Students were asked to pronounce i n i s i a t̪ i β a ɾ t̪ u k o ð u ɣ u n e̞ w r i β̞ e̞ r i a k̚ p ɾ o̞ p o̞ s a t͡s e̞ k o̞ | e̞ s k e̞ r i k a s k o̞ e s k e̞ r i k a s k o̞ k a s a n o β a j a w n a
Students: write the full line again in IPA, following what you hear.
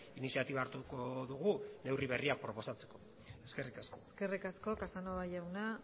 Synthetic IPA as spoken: i n i s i a t̪ i β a ɾ t̪ u k o ð u ɣ u n e̞ w r i β̞ e̞ r i a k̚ p ɾ o̞ p o̞ s a t͡s e̞ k o̞ | e̞ s k e̞ r i k a s k o̞ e s k e̞ r i k a s k o̞ k a s a n o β a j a w n a

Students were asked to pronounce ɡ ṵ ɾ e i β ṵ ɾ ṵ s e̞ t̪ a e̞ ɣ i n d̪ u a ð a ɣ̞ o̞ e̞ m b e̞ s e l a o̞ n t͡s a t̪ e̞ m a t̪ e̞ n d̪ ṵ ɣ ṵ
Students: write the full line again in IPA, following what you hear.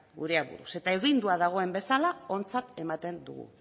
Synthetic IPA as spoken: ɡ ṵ ɾ e a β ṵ ɾ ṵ s e̞ t̪ a e̞ ɣ i n d̪ u a ð a ɣ̞ o̞ e̞ m b e̞ s a l a o̞ n t͡s a t̪ e̞ m a t̪ e̞ n d̪ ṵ ɣ ṵ

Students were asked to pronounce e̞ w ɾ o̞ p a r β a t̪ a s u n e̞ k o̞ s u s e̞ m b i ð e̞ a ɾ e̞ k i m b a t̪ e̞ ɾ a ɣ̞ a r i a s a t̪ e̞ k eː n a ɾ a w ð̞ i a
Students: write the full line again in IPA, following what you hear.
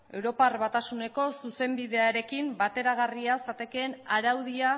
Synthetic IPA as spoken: e̞ w ɾ o̞ p a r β a t̪ a s u n e̞ k o̞ s u s e̞ m b i ð e̞ a ɾ e̞ k i m b a t̪ e̞ ɾ a ɣ̞ a r i a s a t̪ e̞ k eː n a ɾ a w ð̞ i a

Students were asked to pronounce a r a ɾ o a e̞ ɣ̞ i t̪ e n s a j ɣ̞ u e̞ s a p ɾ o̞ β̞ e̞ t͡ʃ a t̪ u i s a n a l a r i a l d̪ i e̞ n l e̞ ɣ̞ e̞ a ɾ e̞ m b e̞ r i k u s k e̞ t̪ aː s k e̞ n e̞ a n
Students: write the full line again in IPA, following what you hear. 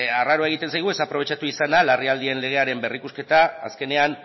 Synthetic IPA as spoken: a r a ɾ o a e̞ ɣ̞ i t̪ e n s a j ɣ̞ u e̞ s a p ɾ o̞ β̞ e̞ t͡ʃ a t̪ u i s a n a l a r i a l d̪ i e̞ n l e̞ ɣ̞ e̞ a ɾ e̞ m b e̞ r i k u s k e̞ t̪ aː s k e̞ n e̞ a n

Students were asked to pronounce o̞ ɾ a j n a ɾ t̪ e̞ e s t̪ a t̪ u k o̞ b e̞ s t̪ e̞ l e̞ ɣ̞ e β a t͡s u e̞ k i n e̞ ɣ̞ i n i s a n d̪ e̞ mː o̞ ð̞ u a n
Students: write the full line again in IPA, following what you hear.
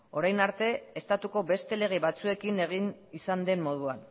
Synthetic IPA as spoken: o̞ ɾ a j n a ɾ t̪ e̞ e s t̪ a t̪ u k o̞ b e̞ s t̪ e̞ l e̞ ɣ̞ e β a t͡s u e̞ k i n e̞ ɣ̞ i n i s a n d̪ e̞ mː o̞ ð̞ u a n

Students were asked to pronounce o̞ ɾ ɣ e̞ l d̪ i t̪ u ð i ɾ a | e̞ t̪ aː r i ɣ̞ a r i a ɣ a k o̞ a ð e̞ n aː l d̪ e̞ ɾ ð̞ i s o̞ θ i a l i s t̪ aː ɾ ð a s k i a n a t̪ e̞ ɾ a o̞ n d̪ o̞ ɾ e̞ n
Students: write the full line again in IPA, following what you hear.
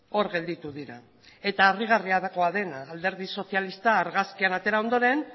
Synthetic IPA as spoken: o̞ ɾ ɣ e̞ l d̪ i t̪ u ð i ɾ a | e̞ t̪ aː r i ɣ̞ a r i a ð a k o̞ a ð e̞ n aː l d̪ e̞ ɾ ð̞ i s o̞ θ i a l i s t̪ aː ɾ ɣ a s k i a n a t̪ e̞ ɾ a o̞ n d̪ o̞ ɾ e̞ n

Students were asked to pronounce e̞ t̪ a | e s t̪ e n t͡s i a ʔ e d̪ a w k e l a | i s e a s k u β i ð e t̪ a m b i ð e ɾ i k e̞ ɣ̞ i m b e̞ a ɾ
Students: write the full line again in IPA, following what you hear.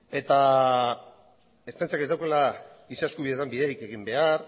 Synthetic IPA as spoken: e̞ t̪ a | e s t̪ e n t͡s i a k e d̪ a w k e l a | i s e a s k u β i ð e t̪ a m b i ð e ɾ i k e̞ ɣ̞ i m b e̞ a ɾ

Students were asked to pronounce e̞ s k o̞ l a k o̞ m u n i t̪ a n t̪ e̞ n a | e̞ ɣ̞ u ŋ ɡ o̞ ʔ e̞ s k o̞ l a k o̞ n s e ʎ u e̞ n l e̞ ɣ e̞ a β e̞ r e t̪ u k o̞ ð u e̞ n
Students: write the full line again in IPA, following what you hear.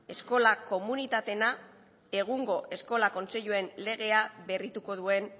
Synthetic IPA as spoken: e̞ s k o̞ l a k o̞ m u n i t̪ a t̪ e̞ n a | e̞ ɣ̞ u ŋ ɡ o̞ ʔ e̞ s k o̞ l a k o̞ n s e ʎ u e̞ n l e̞ ɣ e̞ a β e̞ r i t̪ u k o̞ ð u e̞ n

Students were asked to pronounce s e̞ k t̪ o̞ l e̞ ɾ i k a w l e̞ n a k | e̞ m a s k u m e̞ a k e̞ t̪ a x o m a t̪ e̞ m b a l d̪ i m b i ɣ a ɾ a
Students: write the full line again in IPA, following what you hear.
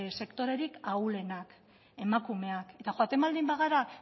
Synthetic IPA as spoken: s e̞ k t̪ o̞ ɾ e̞ ɾ i k a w l e̞ n a k | e̞ m a k u m e̞ a k e̞ t̪ a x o a t̪ e̞ m b a l d̪ i m b a ɣ a ɾ a

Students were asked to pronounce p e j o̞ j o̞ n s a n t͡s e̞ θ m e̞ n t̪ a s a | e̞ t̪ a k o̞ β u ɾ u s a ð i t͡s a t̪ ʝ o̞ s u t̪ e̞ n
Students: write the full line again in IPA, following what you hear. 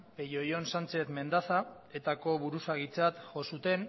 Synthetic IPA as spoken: p e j o̞ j o̞ n s a n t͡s e̞ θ m e̞ n d̪ a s a | e̞ t̪ a k o̞ β u ɾ u s a ɣ i t͡s a t̪ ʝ o̞ s u t̪ e̞ n

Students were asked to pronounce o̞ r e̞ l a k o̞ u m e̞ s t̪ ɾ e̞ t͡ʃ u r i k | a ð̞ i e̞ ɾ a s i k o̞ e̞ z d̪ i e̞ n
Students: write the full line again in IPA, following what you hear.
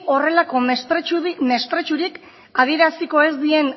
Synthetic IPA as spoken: o̞ r e̞ l a k o̞ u m e̞ s t̪ ɾ e̞ t͡ʃ u ɾ i k | a ð̞ i e̞ ɾ a s i k o̞ e̞ z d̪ i e̞ n

